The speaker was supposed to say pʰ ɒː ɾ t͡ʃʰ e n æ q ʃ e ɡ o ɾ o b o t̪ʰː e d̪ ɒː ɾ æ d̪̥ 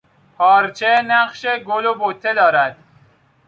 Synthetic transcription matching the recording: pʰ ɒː ɾ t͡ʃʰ e n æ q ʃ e ɡ o l o b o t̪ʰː e d̪ ɒː ɾ æ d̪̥

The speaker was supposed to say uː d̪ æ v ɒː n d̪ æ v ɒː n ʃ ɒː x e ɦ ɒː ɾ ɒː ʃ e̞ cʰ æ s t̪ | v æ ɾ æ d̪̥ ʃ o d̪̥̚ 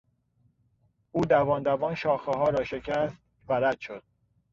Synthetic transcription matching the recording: uː d̪ æ v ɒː n d̪ æ v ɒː n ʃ ɒː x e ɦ ɒː ɾ ɒː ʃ e̞ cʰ æ s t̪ | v æ ɾ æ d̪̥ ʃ o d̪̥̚

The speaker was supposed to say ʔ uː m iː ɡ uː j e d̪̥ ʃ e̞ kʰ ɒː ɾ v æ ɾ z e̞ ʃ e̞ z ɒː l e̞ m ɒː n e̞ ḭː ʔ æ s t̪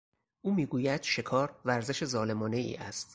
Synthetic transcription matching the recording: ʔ uː m iː ɡ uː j æ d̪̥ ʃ e̞ kʰ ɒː ɾ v æ ɾ z e̞ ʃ e̞ z ɒː l e̞ m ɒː n e̞ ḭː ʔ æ s t̪

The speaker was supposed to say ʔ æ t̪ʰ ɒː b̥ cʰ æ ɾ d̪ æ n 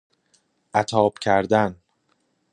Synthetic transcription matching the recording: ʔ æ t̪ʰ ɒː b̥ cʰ æ ɾ d̪ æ n

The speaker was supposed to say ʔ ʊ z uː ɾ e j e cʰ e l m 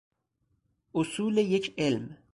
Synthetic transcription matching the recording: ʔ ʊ s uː l e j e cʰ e l m

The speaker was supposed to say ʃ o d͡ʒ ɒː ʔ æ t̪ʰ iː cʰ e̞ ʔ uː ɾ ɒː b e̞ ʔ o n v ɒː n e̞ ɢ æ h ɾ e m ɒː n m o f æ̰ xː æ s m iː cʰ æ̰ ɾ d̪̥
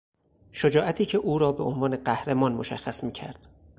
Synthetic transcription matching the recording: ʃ o d͡ʒ ɒː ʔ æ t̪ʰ iː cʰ e̞ ʔ uː ɾ ɒː b e̞ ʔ o n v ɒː n e̞ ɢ æ h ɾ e m ɒː n m o ʃ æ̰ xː æ s m iː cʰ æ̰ ɾ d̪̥

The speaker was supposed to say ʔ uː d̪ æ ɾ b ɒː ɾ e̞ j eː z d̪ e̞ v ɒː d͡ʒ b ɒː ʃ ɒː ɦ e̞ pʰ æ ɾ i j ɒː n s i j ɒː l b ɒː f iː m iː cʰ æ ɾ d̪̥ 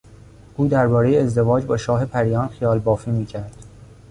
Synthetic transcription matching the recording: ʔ uː d̪ æ ɾ b ɒː ɾ e̞ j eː z d̪ e̞ v ɒː d͡ʒ b ɒː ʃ ɒː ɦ e̞ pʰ æ ɾ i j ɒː n x i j ɒː l b ɒː f iː m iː cʰ æ ɾ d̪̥

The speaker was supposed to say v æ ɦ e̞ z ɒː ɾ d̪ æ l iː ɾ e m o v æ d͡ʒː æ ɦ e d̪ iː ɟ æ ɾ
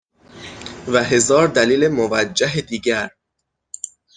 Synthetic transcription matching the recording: v æ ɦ e̞ z ɒː ɾ d̪ æ l iː l e m o v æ d͡ʒː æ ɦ e d̪ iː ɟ æ ɾ

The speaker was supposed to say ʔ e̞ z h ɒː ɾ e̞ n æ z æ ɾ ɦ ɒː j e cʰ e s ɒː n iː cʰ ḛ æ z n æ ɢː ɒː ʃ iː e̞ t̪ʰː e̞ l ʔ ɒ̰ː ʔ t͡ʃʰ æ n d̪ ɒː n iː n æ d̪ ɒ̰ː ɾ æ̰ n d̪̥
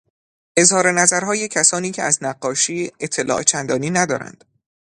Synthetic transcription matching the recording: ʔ e̞ z h ɒː ɾ e̞ n æ z æ ɾ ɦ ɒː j e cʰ æ s ɒː n iː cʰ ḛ æ z n æ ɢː ɒː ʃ iː e̞ t̪ʰː e̞ l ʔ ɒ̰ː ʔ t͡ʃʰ æ n d̪ ɒː n iː n æ d̪ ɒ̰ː ɾ æ̰ n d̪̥

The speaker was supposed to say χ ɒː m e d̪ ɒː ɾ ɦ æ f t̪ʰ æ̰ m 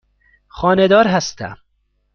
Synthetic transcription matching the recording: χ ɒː n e d̪ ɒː ɾ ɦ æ s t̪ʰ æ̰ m

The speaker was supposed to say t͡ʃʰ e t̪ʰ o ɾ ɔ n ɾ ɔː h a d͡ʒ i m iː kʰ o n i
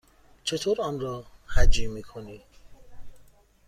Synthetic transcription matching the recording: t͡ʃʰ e t̪ʰ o ɾ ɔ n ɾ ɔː h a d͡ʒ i m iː kʰ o n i

